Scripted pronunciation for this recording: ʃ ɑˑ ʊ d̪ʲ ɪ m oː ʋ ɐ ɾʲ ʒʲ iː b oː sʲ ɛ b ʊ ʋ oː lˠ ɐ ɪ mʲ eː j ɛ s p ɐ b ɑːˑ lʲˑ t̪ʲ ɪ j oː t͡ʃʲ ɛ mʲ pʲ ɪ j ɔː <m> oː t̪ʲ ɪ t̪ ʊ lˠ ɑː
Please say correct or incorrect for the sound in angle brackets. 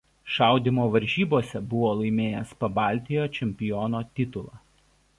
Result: incorrect